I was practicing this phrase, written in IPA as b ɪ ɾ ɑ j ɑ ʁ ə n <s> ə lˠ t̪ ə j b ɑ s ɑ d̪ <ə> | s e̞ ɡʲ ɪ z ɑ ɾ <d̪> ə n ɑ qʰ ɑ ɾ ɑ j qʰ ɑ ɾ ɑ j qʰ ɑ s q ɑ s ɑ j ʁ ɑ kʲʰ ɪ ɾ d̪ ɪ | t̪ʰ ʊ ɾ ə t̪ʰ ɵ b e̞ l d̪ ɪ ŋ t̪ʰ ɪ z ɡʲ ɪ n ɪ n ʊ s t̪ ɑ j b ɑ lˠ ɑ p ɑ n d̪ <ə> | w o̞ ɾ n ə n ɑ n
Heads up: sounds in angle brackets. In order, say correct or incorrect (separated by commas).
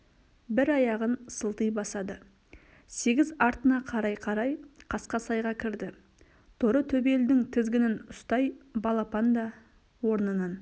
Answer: correct, correct, incorrect, incorrect